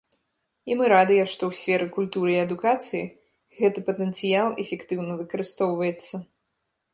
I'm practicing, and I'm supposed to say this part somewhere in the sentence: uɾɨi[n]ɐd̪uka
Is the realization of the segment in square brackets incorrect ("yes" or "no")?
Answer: yes